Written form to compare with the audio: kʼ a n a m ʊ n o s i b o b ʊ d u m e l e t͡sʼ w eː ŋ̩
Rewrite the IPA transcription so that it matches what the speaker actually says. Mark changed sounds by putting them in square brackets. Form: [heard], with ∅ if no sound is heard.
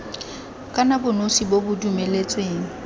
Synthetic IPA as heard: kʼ a n a [b] ʊ n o s i b o b ʊ d u m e l e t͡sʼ w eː ŋ̩